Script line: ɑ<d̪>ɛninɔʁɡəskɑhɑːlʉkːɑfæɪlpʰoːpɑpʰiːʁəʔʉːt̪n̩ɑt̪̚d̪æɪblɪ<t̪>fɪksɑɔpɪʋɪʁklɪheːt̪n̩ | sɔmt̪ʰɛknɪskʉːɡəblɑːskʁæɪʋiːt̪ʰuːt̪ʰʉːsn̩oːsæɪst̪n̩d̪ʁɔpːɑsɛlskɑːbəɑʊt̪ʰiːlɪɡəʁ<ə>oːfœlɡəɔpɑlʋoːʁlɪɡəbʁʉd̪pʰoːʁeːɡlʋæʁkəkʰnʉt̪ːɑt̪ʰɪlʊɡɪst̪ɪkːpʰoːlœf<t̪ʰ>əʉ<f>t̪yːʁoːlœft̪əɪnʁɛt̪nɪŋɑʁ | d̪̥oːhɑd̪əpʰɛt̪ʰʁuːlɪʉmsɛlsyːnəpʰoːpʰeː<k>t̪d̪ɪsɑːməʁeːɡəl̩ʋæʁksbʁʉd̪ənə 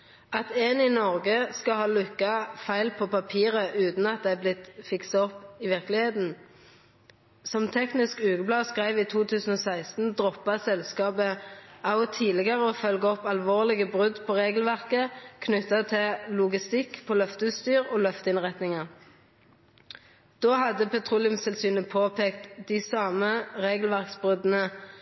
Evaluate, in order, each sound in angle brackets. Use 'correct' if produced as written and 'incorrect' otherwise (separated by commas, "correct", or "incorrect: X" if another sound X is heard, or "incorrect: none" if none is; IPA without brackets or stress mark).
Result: incorrect: t̪, correct, correct, incorrect: t̪, incorrect: s, correct